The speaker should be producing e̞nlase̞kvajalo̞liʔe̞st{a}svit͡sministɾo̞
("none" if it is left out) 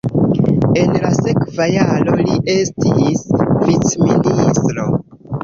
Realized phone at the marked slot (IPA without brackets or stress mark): i